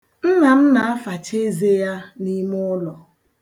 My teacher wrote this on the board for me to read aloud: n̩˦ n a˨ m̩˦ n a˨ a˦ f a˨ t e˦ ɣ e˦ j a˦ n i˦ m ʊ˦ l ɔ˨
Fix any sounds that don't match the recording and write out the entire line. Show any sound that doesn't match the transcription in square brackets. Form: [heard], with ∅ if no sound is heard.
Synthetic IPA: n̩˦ n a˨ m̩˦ n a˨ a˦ f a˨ [t͡ʃ] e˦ [z] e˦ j a˦ n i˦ m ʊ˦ l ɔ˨